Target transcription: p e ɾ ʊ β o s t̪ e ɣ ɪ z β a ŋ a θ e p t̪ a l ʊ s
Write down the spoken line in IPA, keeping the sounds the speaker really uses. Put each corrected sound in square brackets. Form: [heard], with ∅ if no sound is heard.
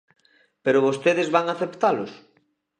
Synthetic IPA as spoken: p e ɾ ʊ β o s t̪ e [ð] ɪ z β a ŋ a θ e p t̪ a l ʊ s